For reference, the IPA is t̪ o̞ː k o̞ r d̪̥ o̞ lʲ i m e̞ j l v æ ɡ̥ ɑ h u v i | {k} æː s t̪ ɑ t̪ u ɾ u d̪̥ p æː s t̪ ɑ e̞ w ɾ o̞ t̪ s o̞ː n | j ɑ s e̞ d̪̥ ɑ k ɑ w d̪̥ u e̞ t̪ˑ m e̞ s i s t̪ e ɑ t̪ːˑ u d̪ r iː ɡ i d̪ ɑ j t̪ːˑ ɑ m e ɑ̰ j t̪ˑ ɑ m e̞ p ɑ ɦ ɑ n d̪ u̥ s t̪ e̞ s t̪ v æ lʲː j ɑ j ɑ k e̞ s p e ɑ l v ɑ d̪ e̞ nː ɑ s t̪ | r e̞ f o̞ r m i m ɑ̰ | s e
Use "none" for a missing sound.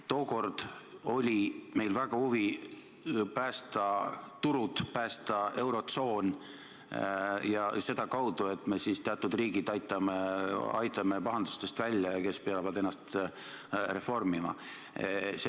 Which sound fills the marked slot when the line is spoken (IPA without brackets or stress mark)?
p